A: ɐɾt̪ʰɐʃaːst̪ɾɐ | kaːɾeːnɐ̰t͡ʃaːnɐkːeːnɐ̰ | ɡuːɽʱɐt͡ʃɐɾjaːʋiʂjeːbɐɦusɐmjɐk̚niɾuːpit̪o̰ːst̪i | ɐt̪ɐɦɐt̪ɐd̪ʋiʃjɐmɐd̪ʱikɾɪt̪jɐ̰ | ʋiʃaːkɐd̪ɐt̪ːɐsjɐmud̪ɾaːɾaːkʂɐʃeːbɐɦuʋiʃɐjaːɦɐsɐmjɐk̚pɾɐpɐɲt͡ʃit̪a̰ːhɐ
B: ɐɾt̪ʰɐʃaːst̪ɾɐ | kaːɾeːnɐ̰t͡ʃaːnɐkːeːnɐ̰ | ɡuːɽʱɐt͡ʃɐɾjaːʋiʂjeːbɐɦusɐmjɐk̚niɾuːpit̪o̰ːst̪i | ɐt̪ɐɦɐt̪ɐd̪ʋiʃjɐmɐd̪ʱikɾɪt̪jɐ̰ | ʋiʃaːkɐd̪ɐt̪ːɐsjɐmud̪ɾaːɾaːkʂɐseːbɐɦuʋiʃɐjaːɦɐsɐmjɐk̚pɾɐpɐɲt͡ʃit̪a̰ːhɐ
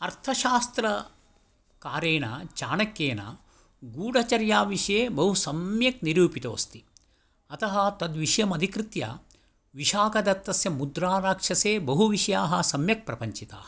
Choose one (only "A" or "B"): B